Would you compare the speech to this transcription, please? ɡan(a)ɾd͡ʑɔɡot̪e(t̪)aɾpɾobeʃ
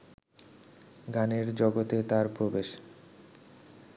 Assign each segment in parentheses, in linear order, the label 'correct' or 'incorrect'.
incorrect: e, correct

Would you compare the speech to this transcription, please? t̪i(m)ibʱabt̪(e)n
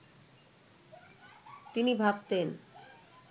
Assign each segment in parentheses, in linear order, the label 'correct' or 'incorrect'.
incorrect: n, correct

